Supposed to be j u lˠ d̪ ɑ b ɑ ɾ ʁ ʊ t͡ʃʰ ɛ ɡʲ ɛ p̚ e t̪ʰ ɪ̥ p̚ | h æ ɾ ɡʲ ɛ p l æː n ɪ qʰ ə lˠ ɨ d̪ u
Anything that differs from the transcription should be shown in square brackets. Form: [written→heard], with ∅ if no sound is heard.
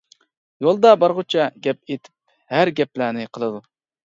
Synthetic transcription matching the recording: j [u→o] lˠ d̪ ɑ b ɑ ɾ ʁ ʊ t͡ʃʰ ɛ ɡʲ ɛ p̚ e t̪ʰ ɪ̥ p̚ | h æ ɾ ɡʲ ɛ p l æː n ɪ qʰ ə lˠ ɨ d̪ u